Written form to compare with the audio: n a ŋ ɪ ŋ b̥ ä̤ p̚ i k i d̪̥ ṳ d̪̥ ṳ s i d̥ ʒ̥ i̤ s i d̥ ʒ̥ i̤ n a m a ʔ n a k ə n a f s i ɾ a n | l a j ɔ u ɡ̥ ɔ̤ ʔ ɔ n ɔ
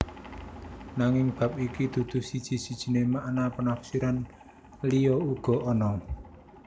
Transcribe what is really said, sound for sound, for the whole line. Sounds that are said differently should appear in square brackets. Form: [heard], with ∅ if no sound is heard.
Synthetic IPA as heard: n a ŋ ɪ ŋ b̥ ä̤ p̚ i k i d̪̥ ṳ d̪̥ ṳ s i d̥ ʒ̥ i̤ s i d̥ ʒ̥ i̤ n [e] m a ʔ n a [p] ə n a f s i ɾ a n | l [i] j ɔ u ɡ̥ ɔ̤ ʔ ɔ n ɔ